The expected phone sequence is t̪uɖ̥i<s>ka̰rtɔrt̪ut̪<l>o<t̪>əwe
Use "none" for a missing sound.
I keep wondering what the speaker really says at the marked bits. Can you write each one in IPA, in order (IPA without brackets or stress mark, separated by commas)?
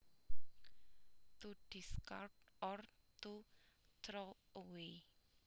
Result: s, ɾ, none